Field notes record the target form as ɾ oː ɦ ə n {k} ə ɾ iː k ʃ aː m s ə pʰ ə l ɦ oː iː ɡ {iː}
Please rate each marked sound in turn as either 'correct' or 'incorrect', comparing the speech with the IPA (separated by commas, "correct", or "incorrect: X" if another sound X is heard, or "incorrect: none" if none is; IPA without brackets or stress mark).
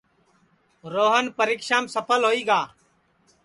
incorrect: p, incorrect: aː